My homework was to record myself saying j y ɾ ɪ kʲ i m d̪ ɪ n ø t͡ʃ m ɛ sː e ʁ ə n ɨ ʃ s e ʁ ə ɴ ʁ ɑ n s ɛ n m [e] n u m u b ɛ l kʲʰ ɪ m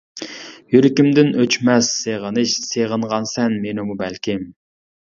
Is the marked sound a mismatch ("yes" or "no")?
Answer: no